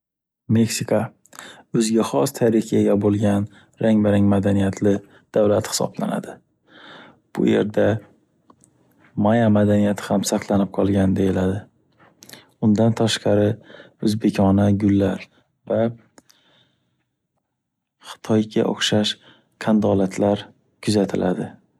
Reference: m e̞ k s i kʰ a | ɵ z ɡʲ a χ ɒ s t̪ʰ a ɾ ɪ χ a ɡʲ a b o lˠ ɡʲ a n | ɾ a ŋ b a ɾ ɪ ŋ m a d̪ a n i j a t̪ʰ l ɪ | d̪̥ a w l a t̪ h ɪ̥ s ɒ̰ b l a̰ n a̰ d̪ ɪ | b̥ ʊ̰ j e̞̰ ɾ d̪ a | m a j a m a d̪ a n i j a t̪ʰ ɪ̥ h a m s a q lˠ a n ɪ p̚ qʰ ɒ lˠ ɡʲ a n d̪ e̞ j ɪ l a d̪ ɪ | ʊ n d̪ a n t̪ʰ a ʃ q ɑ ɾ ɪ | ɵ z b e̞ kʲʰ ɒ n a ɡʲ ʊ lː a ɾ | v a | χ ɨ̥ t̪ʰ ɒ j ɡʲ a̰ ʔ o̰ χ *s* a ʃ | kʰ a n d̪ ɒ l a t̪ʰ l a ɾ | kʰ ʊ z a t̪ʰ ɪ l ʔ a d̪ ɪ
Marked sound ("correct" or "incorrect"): incorrect